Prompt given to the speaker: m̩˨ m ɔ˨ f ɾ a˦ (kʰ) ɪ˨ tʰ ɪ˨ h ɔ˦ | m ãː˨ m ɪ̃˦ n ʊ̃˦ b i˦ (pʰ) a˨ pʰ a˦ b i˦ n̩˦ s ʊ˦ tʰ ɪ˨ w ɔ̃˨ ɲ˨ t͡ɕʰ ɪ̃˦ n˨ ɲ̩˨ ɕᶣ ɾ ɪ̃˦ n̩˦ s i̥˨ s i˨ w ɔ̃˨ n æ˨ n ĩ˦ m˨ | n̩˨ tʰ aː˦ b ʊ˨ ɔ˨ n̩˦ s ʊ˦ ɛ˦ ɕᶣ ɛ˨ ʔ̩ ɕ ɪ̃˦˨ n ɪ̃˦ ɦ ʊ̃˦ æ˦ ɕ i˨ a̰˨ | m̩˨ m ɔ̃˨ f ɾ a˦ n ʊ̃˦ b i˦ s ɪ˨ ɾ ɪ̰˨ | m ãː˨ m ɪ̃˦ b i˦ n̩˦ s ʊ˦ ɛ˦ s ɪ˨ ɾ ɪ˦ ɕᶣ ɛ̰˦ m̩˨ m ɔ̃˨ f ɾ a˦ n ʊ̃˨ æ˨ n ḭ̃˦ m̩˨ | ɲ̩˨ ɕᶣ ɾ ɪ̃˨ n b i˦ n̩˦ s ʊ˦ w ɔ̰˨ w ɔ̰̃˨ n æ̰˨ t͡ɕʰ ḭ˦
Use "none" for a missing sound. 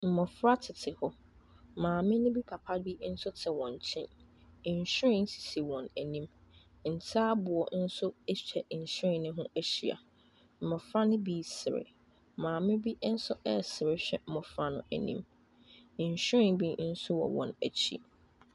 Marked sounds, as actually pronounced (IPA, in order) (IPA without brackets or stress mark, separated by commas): tʰ, pʰ